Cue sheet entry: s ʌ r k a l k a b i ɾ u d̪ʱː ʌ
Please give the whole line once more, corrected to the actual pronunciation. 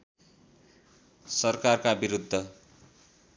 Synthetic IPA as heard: s ʌ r k a r k a b i ɾ u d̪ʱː ʌ